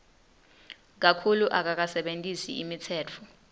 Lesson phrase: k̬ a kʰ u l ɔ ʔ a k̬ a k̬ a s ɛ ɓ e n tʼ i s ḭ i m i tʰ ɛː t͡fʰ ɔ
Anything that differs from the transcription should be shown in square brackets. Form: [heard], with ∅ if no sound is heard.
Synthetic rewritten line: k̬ a kʰ u l [u] ʔ a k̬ a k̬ a s ɛ ɓ e n tʼ i s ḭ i m i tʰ ɛː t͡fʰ ɔ